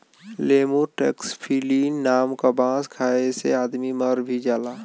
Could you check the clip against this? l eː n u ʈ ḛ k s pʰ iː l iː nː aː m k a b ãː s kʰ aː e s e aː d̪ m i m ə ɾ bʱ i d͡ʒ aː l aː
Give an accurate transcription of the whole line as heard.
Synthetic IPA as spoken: l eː m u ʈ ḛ k s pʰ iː l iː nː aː m k a b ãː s kʰ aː e s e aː d̪ m i m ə ɾ bʱ i d͡ʒ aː l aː